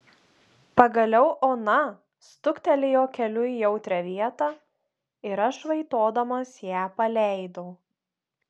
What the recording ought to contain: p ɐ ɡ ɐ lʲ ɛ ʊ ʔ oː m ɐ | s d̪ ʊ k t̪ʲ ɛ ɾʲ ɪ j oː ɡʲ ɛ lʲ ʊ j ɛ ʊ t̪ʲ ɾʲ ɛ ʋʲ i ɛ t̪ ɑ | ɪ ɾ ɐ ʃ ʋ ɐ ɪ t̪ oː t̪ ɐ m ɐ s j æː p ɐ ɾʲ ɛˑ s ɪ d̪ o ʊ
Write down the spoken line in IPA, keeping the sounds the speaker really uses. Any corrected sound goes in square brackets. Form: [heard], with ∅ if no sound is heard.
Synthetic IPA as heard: p ɐ ɡ ɐ lʲ ɛ ʊ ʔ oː [n] ɐ | s [t̪] ʊ k t̪ʲ ɛ [lʲ] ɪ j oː [kʲ] ɛ lʲ ʊ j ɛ ʊ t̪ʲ ɾʲ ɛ ʋʲ i ɛ t̪ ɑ | ɪ ɾ ɐ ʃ ʋ ɐ ɪ t̪ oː [d̪] ɐ m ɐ s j æː p ɐ [lʲ] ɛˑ [∅] ɪ d̪ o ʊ